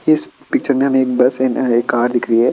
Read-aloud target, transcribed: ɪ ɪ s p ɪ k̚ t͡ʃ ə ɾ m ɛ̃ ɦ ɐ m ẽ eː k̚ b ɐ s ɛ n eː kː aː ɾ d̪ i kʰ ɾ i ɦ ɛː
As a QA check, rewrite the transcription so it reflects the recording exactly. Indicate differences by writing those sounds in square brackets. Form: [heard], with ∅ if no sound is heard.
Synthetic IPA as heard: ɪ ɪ s p ɪ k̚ t͡ʃ ə ɾ m [ẽ] ɦ ɐ m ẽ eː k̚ b ɐ s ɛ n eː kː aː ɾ d̪ [ɪ] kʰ ɾ i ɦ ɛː